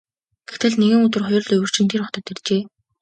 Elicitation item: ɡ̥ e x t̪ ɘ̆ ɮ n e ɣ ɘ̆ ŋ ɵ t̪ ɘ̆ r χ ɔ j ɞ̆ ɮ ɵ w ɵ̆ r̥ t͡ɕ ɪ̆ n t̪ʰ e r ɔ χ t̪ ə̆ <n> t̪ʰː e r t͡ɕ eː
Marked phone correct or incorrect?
incorrect